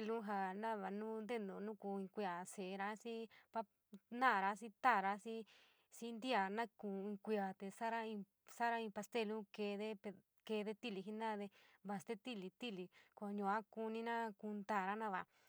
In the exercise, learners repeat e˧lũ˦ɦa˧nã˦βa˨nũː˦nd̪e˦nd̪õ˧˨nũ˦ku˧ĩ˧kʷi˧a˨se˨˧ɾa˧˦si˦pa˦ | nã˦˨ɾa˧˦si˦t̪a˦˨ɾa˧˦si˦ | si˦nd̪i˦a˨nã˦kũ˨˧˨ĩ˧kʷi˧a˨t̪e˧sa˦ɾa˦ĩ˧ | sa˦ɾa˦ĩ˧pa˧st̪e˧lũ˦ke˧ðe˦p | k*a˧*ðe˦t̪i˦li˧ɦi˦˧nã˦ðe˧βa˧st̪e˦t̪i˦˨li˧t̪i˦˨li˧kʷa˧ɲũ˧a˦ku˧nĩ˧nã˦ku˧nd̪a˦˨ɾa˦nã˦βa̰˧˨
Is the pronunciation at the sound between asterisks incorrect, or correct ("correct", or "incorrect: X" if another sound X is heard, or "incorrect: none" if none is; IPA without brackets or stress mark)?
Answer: incorrect: e˧